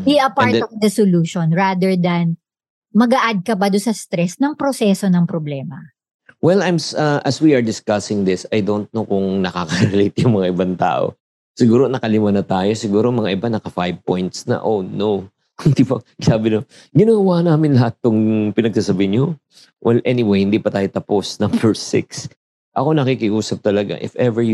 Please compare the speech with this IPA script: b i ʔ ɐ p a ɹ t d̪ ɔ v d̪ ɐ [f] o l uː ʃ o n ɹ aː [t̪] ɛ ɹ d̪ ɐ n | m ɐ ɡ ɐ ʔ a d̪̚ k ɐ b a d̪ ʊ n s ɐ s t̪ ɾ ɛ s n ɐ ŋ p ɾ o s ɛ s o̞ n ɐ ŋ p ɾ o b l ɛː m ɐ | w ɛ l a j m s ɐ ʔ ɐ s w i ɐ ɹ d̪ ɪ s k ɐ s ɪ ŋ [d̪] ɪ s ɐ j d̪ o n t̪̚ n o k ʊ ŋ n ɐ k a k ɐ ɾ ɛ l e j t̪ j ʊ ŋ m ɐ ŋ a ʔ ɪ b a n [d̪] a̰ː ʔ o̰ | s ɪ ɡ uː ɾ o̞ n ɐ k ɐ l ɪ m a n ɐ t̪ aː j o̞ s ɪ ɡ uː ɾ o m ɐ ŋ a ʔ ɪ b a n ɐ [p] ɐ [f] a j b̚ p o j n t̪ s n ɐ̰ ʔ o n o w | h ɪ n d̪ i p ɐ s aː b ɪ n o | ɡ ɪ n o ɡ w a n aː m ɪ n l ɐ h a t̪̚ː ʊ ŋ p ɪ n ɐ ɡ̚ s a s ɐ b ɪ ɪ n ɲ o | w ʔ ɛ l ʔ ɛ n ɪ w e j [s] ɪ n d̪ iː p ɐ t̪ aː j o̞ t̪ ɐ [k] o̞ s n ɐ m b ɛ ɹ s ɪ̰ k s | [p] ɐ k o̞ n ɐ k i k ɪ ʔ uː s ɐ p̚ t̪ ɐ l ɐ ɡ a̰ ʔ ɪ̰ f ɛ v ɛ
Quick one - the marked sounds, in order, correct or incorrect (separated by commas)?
incorrect, incorrect, correct, incorrect, incorrect, correct, incorrect, incorrect, incorrect